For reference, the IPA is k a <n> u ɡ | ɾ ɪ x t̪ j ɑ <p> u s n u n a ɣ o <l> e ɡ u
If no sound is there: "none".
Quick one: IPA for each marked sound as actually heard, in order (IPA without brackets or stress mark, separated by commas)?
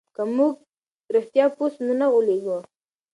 m, p, l